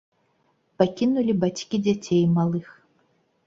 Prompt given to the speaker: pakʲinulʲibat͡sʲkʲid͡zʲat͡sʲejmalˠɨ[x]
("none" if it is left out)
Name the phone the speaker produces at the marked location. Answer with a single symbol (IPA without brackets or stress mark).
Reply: x